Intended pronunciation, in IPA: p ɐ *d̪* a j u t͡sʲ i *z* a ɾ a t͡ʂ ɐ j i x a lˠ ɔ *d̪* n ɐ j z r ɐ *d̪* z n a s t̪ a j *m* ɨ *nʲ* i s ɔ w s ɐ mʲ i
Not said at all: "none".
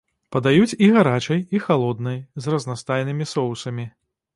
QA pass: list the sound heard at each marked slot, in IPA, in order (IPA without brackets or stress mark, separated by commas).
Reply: d̪, ɣ, d̪, none, n, mʲ